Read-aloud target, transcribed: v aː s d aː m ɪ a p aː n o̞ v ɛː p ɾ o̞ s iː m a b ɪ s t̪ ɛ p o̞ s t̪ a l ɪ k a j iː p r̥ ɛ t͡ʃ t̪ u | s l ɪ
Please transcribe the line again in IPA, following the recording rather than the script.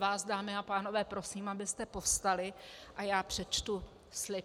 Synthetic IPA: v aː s d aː m ɪ a p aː n o̞ v ɛː p ɾ o̞ s iː m a b ɪ s t̪ ɛ p o̞ s t̪ a l ɪ ʔ a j aː p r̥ ɛ t͡ʃ t̪ u | s l ɪ